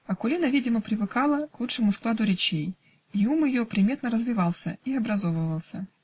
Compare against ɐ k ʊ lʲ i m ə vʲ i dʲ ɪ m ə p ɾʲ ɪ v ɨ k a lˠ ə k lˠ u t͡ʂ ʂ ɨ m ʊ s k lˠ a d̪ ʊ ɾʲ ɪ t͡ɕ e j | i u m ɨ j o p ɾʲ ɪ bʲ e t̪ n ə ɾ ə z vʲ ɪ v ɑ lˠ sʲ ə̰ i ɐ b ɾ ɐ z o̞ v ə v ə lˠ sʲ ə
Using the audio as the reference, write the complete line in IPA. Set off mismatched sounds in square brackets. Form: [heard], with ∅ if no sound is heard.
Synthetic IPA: ɐ k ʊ lʲ i [n] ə vʲ i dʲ ɪ m ə p ɾʲ ɪ v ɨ k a lˠ ə k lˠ u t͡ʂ ʂ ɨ m ʊ s k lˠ a d̪ ʊ ɾʲ ɪ t͡ɕ e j | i u m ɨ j o p ɾʲ ɪ [mʲ] e t̪ n ə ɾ ə z vʲ ɪ v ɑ lˠ sʲ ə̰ i ɐ b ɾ ɐ z o̞ v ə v ə lˠ sʲ ə